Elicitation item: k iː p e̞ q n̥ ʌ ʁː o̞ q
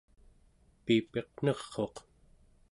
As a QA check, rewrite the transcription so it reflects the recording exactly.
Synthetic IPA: p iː p e̞ q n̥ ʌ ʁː o̞ q